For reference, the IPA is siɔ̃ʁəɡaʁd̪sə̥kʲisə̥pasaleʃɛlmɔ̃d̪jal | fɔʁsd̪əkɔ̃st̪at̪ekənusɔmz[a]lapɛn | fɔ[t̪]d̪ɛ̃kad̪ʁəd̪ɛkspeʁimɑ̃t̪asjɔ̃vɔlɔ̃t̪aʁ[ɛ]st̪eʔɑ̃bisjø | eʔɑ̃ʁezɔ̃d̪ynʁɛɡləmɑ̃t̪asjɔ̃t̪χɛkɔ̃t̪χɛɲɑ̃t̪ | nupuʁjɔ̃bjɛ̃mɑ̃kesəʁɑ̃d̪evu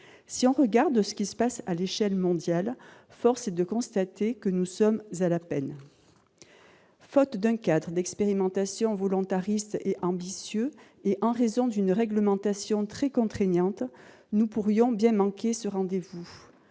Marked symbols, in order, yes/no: yes, yes, no

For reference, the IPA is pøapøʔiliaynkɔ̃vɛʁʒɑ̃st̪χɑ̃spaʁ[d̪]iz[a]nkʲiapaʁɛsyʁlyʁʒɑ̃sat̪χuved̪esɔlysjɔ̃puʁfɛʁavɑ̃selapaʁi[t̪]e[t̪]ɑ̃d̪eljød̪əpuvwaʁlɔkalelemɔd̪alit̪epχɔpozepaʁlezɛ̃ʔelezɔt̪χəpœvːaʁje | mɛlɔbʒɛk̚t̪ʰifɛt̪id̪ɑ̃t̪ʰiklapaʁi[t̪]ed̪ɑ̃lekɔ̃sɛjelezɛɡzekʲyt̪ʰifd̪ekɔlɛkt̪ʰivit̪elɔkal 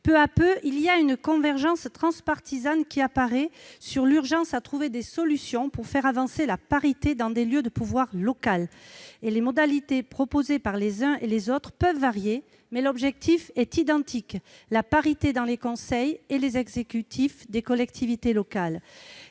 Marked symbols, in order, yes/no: no, yes, yes, no, yes

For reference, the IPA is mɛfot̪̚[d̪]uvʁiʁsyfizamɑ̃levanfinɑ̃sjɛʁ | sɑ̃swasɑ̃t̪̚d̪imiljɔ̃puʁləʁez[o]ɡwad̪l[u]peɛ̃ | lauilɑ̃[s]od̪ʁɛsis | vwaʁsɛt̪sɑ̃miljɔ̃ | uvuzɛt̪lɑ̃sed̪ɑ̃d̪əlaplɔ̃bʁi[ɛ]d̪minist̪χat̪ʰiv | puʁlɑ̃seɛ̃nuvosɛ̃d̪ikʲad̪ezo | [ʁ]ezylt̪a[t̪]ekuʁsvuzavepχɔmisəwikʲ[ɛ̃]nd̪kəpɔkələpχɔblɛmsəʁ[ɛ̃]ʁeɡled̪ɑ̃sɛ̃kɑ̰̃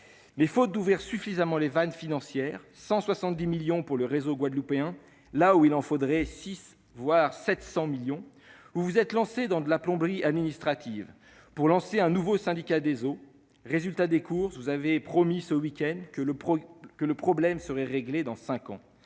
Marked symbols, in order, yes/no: yes, yes, yes, no, no, yes, no, no, no

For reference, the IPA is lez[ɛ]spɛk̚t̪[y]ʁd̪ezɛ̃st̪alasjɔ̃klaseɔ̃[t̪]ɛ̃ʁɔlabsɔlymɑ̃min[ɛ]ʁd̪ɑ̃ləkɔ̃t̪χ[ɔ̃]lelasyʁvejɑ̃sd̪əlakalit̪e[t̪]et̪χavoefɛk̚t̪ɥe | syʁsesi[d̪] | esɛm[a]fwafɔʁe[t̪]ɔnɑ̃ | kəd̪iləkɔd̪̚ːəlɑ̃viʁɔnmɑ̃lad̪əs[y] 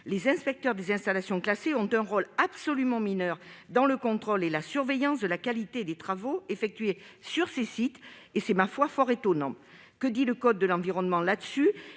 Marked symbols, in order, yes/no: no, no, yes, no, no, no, no, yes, yes, yes

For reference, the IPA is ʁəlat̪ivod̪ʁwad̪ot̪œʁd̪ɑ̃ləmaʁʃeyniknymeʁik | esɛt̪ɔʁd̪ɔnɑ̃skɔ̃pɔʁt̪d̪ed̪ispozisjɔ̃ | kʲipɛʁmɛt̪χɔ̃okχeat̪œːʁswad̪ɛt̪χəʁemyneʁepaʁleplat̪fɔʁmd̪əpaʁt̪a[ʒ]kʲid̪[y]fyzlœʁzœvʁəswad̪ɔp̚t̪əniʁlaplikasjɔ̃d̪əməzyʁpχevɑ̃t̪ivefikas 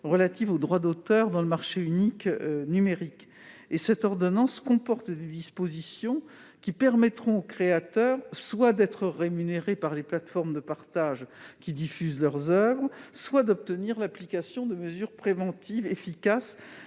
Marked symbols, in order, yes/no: yes, no

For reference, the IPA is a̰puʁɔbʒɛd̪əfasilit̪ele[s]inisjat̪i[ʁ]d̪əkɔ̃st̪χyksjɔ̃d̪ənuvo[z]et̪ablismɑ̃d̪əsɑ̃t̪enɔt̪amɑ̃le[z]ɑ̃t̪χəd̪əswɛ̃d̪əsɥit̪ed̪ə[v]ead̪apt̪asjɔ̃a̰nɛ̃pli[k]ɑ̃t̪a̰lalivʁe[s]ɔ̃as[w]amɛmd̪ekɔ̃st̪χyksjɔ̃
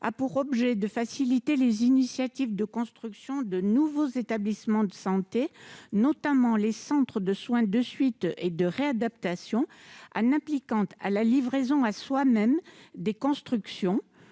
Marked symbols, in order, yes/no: no, no, yes, no, no, yes, no, yes

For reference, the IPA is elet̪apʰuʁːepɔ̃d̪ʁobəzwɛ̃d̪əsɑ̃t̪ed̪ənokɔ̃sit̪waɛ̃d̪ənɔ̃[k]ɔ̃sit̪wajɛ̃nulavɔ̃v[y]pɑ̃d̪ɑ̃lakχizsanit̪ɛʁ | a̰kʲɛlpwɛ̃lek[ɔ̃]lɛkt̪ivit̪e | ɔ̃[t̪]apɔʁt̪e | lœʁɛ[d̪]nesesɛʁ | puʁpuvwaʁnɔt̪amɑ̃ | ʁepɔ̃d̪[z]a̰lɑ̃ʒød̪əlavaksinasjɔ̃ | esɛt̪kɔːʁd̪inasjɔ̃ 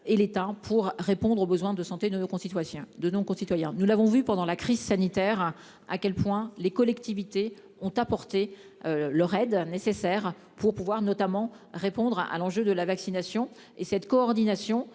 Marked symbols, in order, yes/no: yes, yes, no, yes, yes, no

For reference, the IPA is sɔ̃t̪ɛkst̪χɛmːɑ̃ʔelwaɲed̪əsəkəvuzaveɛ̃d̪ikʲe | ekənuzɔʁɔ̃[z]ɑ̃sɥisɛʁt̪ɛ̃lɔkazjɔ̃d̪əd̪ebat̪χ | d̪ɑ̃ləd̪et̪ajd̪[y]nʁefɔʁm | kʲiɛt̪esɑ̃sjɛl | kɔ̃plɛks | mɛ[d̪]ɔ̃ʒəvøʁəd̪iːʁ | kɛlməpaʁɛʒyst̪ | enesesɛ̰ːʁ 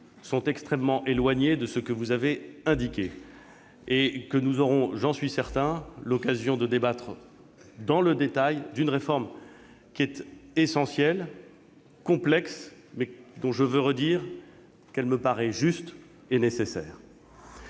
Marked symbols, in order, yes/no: no, yes, yes

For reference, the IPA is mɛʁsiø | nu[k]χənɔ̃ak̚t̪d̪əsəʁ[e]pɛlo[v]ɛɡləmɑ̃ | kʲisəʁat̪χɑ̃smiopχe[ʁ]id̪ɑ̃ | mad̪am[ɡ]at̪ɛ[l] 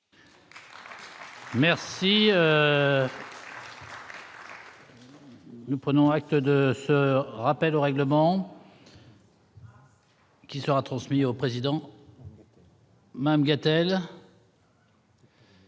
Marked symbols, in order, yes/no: no, no, no, no, yes, yes

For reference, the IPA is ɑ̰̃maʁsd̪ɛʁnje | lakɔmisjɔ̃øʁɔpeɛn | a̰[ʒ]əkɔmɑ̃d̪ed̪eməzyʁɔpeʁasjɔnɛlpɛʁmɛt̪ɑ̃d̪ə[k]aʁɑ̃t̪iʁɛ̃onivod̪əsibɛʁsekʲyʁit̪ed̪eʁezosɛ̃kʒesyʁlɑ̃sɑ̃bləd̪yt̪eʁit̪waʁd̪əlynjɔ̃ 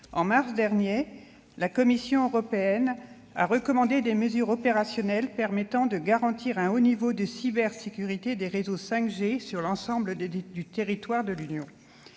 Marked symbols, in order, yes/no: no, no

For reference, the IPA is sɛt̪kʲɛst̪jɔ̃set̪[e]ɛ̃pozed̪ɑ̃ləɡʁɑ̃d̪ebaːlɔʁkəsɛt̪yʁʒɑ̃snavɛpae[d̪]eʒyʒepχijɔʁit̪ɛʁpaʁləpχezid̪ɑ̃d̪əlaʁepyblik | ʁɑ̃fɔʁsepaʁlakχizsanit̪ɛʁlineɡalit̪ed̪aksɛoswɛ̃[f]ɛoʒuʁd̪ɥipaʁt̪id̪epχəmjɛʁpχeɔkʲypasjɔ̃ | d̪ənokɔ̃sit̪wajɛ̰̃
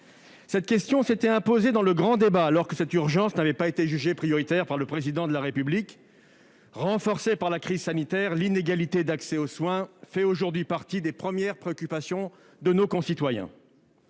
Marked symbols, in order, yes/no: no, no, yes

